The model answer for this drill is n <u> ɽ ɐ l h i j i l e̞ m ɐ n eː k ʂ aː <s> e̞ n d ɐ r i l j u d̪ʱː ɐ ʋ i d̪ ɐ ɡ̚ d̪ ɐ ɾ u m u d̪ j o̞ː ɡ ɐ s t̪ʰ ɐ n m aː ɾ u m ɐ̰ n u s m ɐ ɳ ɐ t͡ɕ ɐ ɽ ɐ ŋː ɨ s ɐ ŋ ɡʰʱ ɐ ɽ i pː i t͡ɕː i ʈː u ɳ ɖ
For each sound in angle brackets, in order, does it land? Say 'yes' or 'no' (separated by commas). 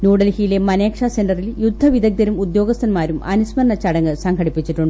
no, yes